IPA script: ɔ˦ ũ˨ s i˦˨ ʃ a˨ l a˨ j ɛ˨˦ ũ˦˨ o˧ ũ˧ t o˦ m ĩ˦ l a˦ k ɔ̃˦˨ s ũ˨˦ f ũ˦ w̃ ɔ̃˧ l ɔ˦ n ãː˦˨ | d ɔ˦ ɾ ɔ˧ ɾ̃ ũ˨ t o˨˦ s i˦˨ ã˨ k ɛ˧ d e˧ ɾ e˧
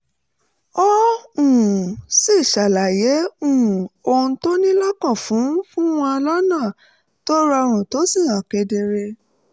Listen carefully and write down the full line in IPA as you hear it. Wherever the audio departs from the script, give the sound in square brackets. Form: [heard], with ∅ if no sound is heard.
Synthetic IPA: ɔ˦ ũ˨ s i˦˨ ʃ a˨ l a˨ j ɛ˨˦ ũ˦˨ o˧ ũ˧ t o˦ [n] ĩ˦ l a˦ k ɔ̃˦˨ [f] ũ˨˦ f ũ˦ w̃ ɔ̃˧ l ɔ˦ n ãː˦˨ | [t] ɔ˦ ɾ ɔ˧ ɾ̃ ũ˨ t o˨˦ s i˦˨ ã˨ k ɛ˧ d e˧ ɾ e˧